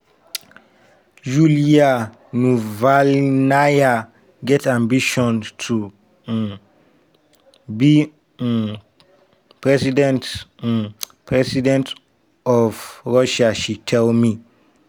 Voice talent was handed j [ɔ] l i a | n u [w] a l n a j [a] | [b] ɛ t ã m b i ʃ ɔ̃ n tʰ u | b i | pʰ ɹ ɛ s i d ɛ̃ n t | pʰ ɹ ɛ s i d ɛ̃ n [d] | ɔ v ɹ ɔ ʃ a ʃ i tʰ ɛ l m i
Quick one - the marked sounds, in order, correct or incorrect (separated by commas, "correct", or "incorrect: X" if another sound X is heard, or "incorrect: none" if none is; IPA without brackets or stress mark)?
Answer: incorrect: u, incorrect: v, correct, incorrect: ɡ, incorrect: t